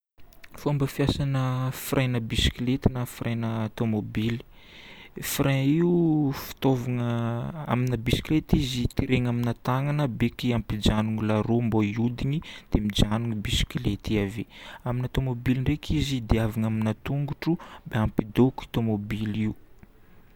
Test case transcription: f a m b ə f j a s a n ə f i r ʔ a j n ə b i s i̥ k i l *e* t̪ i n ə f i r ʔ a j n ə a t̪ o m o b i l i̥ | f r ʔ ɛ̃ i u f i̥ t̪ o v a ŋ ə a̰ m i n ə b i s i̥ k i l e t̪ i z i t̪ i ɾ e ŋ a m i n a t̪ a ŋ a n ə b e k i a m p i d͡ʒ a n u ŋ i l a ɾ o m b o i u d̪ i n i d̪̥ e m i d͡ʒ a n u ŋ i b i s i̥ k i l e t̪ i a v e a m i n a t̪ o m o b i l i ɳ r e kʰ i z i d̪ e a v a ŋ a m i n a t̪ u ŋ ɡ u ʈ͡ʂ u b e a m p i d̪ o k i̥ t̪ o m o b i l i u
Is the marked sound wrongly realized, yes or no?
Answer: no